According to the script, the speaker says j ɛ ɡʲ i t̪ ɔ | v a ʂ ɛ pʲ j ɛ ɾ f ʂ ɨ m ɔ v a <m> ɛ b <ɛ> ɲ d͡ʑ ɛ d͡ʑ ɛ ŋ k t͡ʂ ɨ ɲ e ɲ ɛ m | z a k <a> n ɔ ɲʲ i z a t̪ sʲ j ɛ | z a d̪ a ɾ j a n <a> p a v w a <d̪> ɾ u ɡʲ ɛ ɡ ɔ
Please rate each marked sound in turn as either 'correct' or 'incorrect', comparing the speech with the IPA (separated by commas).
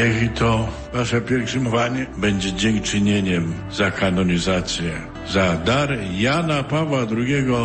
incorrect, correct, correct, correct, correct